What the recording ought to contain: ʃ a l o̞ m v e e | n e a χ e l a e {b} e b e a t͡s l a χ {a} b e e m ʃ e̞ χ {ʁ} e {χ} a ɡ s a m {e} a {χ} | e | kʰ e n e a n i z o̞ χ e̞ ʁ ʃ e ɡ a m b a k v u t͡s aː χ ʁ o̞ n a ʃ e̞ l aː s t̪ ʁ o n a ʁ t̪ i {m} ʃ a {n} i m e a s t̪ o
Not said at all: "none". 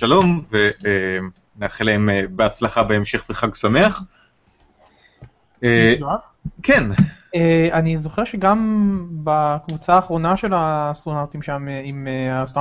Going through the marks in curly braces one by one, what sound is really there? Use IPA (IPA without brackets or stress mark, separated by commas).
m, a, v, χ, e, χ, m, m